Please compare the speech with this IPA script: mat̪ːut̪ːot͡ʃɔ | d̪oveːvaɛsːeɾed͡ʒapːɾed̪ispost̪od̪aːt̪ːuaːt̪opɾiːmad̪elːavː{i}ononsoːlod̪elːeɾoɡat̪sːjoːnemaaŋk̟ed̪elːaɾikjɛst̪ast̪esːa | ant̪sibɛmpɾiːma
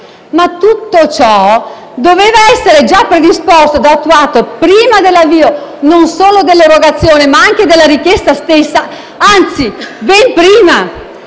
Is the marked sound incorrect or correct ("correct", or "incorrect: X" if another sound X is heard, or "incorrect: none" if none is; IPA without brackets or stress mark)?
incorrect: iː